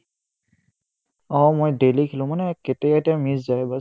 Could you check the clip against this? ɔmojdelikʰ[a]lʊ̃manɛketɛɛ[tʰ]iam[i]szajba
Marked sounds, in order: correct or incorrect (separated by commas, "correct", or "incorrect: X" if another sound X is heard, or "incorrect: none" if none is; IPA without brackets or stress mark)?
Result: incorrect: i, incorrect: t, correct